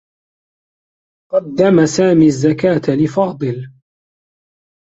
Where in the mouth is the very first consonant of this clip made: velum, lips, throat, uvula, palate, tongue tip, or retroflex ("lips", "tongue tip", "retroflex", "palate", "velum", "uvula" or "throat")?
uvula